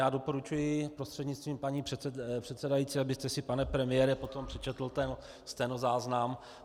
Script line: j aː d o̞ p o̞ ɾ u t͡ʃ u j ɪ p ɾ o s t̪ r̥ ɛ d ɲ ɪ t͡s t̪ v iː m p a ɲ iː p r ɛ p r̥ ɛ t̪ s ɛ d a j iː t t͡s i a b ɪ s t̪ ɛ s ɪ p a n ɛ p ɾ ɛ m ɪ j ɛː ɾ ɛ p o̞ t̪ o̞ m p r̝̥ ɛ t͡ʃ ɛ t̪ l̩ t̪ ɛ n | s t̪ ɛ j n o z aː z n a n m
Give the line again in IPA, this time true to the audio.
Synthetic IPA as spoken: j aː d o̞ p o̞ ɾ u t͡ʃ u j ɪ p ɾ o s t̪ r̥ ɛ d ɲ ɪ t͡s t̪ v iː m p a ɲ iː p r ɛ p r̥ ɛ t̪ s ɛ d a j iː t t͡s i a b ɪ s t̪ ɛ s ɪ p a n ɛ p ɾ ɛ m ɪ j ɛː ɾ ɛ p o̞ t̪ o̞ m p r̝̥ ɛ t͡ʃ ɛ t̪ l̩ t̪ ɛ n | s t̪ ɛ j n o z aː z n a m